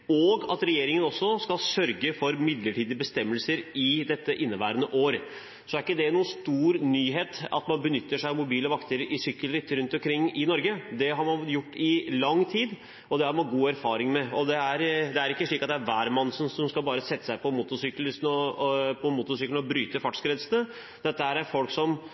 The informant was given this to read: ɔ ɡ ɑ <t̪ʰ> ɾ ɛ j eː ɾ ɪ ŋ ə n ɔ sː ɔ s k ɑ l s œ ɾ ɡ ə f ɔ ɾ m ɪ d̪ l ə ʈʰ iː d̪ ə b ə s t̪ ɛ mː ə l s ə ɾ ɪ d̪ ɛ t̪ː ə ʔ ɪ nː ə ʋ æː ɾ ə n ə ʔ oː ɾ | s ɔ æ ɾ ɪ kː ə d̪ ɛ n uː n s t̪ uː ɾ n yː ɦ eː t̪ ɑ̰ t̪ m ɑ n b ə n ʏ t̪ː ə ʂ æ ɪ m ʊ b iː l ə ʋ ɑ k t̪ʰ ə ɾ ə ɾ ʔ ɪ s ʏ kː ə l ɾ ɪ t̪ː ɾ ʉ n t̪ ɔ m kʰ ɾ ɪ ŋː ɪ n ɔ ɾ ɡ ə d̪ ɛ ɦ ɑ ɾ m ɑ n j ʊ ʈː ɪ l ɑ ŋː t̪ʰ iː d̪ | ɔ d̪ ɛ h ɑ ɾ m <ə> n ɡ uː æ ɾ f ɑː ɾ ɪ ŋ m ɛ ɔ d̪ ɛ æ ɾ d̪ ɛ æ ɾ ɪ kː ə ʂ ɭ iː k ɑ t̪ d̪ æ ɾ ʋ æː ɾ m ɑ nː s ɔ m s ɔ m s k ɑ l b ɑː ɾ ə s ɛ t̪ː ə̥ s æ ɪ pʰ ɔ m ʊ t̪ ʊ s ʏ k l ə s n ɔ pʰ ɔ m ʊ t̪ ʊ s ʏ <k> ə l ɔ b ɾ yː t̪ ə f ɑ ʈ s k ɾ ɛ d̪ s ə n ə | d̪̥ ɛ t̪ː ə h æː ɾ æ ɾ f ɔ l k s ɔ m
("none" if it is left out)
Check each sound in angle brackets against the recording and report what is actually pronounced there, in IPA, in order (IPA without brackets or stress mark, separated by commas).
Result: t̪, ɑ, k